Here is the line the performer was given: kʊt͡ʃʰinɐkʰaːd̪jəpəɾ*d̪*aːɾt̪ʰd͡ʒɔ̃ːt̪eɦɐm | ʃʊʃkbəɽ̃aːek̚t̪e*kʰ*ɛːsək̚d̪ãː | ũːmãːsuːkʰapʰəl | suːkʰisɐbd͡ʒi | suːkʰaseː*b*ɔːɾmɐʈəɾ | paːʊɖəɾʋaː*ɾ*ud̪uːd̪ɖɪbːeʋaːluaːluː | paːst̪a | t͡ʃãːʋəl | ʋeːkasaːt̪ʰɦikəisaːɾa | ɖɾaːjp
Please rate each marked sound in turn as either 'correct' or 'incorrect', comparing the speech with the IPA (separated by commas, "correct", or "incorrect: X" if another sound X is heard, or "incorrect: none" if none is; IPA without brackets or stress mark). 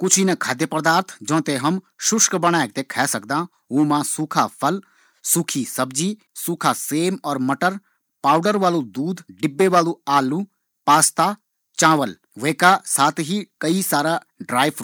correct, correct, incorrect: m, incorrect: l